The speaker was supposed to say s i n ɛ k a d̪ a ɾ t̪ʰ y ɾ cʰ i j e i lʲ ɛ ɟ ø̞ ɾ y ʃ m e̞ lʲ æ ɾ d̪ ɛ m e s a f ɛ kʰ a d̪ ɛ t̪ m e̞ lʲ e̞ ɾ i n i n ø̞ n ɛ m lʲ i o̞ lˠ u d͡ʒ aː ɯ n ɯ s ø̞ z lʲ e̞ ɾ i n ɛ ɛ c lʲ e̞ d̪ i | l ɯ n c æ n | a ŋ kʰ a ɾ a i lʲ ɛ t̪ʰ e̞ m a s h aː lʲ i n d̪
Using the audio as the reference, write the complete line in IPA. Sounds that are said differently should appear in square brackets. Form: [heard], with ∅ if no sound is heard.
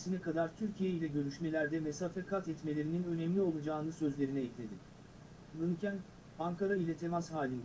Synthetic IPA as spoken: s i n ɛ k a d̪ a ɾ t̪ʰ y ɾ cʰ i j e i lʲ ɛ ɟ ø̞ ɾ y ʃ m e̞ lʲ æ ɾ d̪ ɛ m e s a f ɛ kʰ a [t̪] ɛ t̪ m e̞ lʲ e̞ ɾ i n i n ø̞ n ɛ m lʲ i o̞ lˠ u d͡ʒ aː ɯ n ɯ s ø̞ z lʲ e̞ ɾ i n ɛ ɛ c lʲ e̞ d̪ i | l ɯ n c æ n | a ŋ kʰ a ɾ a i lʲ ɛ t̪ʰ e̞ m a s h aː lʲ i n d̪

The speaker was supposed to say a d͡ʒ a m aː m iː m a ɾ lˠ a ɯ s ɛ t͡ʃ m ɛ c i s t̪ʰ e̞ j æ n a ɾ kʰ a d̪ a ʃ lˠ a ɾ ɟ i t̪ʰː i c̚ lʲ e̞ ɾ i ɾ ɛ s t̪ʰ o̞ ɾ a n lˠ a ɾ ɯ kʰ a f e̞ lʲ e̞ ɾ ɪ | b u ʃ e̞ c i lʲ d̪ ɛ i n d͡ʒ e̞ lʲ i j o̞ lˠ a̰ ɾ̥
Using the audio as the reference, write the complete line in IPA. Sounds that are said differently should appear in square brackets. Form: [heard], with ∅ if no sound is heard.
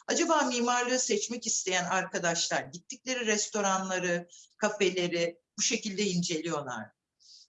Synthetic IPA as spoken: a d͡ʒ a [b] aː m iː m a ɾ lˠ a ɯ s ɛ t͡ʃ m ɛ c i s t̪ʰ e̞ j æ n a ɾ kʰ a d̪ a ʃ lˠ a ɾ ɟ i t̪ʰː i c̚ lʲ e̞ ɾ i ɾ ɛ s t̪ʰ o̞ ɾ a n lˠ a ɾ ɯ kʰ a f e̞ lʲ e̞ ɾ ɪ | b u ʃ e̞ c i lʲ d̪ ɛ i n d͡ʒ e̞ lʲ i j o̞ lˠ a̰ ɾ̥

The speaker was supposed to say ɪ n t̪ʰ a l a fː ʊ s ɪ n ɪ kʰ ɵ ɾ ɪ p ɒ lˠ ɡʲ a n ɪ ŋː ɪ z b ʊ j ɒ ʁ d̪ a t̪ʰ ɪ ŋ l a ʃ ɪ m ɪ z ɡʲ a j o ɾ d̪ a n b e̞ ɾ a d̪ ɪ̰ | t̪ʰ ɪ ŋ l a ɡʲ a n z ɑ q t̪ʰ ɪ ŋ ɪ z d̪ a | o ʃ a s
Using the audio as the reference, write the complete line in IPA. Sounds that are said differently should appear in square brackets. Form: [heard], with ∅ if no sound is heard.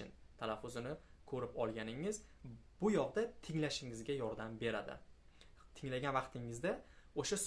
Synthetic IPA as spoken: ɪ n t̪ʰ a l a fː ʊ [z] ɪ n ɪ kʰ ɵ ɾ ɪ p ɒ lˠ ɡʲ a n ɪ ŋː ɪ z b ʊ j ɒ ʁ d̪ a t̪ʰ ɪ ŋ l a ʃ ɪ [ŋ] ɪ z ɡʲ a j [ɒ] ɾ d̪ a [m] b e̞ ɾ a d̪ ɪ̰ | t̪ʰ ɪ ŋ l a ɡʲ a n [v] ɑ q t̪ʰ ɪ ŋ ɪ z d̪ a | o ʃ a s

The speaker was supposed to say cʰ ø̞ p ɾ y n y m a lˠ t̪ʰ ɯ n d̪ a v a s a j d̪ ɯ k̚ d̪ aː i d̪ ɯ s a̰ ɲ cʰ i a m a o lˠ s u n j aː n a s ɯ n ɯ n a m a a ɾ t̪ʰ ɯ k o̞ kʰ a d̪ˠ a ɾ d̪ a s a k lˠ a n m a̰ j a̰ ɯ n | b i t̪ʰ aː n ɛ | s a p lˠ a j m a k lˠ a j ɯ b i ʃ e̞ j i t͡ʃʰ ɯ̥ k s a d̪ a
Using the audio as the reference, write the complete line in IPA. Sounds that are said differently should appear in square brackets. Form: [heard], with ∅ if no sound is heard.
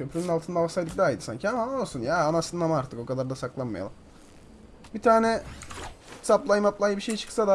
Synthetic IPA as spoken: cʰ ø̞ p ɾ y n y [n] a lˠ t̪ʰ ɯ n d̪ a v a s a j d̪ ɯ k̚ d̪ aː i d̪ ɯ s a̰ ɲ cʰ i a m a o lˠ s u n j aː n a s ɯ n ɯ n a m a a ɾ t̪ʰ ɯ k o̞ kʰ a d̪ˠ a ɾ d̪ a s a k lˠ a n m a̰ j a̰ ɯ [m] | b i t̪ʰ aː n ɛ | s a p lˠ a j m a [p] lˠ a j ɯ b i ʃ e̞ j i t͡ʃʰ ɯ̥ k s a d̪ a

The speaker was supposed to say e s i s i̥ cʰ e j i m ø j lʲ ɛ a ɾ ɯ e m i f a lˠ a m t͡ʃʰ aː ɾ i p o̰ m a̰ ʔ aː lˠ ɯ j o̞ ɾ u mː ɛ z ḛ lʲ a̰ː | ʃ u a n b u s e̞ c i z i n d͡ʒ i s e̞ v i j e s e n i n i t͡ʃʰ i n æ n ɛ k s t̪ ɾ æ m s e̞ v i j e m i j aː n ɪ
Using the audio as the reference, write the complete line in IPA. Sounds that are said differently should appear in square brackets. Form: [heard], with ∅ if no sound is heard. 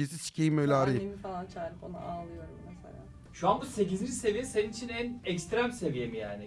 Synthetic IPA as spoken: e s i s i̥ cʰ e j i m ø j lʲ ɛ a ɾ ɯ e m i f a lˠ a [n] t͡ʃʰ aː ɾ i p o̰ [n] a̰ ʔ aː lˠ ɯ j o̞ ɾ u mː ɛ [s] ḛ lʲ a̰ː | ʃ u a n b u s e̞ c i z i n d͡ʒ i s e̞ v i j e s e n i n i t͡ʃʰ i n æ n ɛ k s t̪ ɾ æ m s e̞ v i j e m i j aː n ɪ

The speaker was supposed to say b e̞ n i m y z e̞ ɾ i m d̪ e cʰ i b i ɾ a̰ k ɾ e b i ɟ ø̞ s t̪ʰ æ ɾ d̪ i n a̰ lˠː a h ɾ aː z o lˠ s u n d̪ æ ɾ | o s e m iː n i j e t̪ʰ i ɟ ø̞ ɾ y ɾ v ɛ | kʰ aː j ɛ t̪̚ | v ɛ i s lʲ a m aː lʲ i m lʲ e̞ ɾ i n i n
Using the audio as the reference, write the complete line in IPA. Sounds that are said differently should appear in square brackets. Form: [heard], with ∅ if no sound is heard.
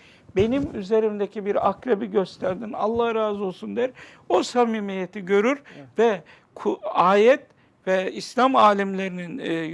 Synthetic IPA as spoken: b e̞ n i m y z e̞ ɾ i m d̪ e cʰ i b i ɾ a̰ k ɾ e b i ɟ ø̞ s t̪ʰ æ ɾ d̪ i n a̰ lˠː a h ɾ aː z o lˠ s u n d̪ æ ɾ | o s [a] m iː [m] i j e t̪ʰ i ɟ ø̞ ɾ y ɾ v ɛ | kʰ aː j ɛ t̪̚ | v ɛ i s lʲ a m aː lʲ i m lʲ e̞ ɾ i n i n

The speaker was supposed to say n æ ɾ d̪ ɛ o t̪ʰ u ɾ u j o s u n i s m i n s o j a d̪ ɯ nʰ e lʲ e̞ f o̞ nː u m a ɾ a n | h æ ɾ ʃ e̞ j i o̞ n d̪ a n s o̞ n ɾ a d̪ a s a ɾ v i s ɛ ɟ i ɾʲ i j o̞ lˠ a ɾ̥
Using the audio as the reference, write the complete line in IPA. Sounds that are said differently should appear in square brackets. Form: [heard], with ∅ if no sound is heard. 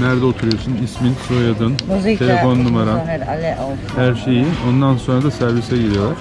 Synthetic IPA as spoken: n æ ɾ d̪ ɛ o t̪ʰ u ɾ u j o s u n i s m i n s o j a d̪ ɯ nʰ e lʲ e̞ f o̞ nː u m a ɾ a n | h æ ɾ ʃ e̞ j i o̞ n d̪ a n s o̞ n ɾ a d̪ a s [æ] ɾ v i s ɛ ɟ i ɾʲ i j o̞ lˠ a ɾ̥

